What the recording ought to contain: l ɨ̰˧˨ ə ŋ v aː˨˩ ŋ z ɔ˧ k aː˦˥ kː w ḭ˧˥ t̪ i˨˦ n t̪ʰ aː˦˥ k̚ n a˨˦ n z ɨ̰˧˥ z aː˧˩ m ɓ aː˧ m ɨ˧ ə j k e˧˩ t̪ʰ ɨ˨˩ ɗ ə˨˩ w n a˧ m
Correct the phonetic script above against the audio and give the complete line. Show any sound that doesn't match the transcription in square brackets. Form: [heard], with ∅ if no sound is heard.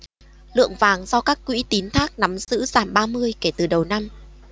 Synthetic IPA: l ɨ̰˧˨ ə ŋ v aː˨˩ ŋ z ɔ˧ k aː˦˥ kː w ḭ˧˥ t̪ i˨˦ n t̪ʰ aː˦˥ k̚ n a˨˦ [m] z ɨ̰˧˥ z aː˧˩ m ɓ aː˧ m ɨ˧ ə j k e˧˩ [t̪] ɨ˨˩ ɗ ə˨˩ w n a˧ m

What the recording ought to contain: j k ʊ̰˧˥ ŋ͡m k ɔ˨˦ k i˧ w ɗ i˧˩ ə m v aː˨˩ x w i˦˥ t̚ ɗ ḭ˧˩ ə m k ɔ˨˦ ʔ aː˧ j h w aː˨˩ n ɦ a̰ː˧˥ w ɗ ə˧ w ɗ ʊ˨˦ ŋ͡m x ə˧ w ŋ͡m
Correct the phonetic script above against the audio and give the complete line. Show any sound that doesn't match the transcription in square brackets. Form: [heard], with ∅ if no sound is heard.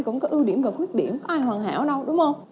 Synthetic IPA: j k ʊ̰˧˥ ŋ͡m k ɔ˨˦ [ʔ] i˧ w ɗ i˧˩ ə m v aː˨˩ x w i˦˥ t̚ ɗ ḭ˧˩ ə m k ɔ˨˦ ʔ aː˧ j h w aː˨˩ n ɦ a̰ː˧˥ w ɗ ə˧ w ɗ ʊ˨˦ ŋ͡m [h] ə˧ w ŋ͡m

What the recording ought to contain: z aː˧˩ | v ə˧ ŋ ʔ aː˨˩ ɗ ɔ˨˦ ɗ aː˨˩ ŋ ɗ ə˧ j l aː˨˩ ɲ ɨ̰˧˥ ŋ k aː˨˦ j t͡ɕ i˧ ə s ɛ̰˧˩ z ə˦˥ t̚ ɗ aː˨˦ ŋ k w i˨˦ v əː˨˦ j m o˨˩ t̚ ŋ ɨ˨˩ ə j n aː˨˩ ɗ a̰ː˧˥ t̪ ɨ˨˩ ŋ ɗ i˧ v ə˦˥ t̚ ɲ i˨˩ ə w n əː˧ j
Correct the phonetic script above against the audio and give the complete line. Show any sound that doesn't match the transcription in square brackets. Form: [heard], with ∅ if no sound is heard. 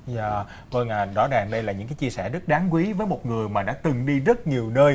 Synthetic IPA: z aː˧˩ | v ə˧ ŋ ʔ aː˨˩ ɗ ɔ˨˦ ɗ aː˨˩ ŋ ɗ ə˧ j l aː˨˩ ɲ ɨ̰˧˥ ŋ k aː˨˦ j t͡ɕ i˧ ə s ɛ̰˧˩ z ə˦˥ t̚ ɗ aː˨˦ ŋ k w i˨˦ v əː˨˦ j m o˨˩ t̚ ŋ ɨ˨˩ ə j [m] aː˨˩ ɗ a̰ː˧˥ t̪ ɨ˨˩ ŋ ɗ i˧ [z] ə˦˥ t̚ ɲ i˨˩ ə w n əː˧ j

